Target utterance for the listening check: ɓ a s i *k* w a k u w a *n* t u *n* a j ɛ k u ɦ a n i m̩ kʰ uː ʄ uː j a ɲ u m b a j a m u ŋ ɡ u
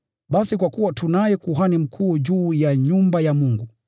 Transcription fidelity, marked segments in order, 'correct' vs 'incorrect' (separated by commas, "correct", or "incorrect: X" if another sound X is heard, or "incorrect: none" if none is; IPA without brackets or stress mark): correct, incorrect: none, correct